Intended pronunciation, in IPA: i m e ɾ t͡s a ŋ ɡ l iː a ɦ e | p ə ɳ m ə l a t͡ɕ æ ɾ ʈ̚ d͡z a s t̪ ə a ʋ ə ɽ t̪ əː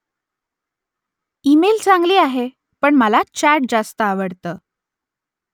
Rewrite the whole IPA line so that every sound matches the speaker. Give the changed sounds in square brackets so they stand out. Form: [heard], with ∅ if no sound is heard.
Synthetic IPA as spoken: i m e [l] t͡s a ŋ ɡ l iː a ɦ e | p ə ɳ m ə l a t͡ɕ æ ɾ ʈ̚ d͡z a s t̪ ə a ʋ ə ɽ t̪ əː